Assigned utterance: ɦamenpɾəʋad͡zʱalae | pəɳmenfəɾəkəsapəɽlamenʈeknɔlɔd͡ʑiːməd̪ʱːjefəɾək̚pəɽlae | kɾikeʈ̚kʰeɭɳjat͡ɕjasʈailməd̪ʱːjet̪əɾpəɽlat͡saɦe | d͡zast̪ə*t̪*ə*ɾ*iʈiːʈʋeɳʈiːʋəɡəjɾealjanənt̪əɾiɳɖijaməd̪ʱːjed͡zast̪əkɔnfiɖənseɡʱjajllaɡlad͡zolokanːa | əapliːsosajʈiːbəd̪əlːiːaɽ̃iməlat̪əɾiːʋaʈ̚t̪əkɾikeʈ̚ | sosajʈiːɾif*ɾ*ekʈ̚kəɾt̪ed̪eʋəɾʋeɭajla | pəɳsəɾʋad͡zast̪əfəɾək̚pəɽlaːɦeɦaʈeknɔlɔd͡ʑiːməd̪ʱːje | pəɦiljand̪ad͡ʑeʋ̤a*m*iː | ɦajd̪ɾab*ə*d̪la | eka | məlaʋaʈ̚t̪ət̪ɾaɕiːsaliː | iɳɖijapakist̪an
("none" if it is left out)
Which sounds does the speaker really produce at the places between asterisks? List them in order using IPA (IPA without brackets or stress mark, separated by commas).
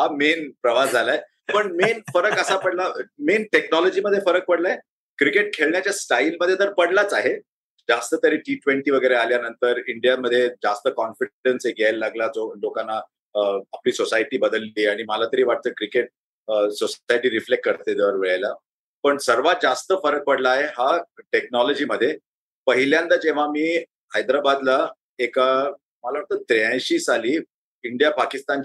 t̪, ɾ, l, m, a